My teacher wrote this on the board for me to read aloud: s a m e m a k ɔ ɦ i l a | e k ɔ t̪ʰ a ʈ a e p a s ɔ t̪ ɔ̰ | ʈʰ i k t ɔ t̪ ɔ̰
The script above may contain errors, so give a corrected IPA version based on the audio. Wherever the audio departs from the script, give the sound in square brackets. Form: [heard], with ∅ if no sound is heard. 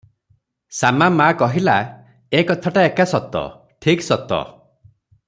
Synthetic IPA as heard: s a m [a] m a k ɔ ɦ i l a | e k ɔ t̪ʰ a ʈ a e [k] a s ɔ t̪ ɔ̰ | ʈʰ i k [s] ɔ t̪ ɔ̰